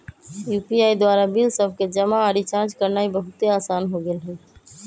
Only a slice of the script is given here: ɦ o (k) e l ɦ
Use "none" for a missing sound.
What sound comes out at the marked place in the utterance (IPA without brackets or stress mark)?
ɡ